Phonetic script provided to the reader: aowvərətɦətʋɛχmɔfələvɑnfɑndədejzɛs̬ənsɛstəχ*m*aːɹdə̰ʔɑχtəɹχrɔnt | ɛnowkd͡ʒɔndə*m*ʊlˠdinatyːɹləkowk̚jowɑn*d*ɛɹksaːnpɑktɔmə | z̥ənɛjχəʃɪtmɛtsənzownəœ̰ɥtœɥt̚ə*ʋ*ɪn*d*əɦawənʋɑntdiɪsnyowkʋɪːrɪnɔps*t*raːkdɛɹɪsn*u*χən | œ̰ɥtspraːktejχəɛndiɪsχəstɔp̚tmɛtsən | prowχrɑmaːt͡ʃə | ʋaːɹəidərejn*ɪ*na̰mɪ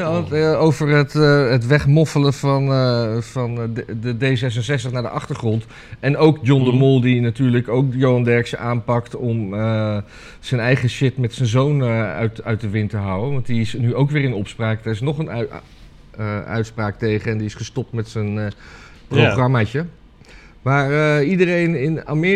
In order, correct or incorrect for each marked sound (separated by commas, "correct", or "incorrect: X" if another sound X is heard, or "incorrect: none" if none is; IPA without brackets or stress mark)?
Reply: incorrect: n, correct, correct, correct, incorrect: t, incorrect: p, incorrect: ɔ, correct